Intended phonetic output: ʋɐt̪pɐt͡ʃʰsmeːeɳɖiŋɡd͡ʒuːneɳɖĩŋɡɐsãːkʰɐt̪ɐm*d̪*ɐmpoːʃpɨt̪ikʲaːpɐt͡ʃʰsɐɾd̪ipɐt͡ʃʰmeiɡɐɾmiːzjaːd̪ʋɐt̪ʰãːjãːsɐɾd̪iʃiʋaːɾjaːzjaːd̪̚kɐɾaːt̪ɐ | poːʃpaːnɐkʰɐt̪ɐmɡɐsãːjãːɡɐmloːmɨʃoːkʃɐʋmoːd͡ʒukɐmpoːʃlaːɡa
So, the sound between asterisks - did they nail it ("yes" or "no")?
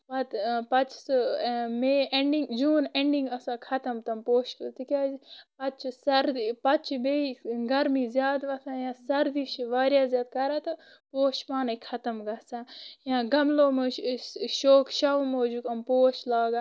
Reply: no